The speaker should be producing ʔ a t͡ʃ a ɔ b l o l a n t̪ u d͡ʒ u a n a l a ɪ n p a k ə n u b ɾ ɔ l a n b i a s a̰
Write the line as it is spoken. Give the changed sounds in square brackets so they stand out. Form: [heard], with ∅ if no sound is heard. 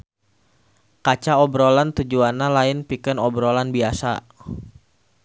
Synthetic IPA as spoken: [k] a t͡ʃ a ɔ b [ɾ] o l a n t̪ u d͡ʒ u a n a l a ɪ n p [i] k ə n [ɔ] b ɾ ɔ l a n b i a s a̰